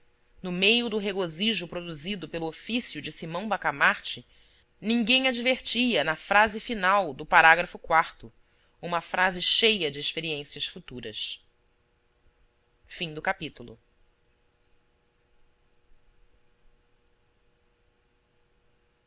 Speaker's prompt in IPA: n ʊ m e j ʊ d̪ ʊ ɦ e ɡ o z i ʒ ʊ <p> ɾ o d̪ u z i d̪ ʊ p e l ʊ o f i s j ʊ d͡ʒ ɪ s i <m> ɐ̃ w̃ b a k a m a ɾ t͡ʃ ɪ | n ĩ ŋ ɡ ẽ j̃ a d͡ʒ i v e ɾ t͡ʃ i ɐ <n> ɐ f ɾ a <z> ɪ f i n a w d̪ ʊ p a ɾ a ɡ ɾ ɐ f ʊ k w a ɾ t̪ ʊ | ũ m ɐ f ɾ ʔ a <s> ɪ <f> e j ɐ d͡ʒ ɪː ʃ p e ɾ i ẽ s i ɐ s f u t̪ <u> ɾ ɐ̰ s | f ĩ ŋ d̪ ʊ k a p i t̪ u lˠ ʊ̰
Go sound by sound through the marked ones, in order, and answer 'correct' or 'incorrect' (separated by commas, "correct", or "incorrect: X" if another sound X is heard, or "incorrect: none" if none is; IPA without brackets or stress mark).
correct, correct, correct, correct, incorrect: z, incorrect: ʃ, correct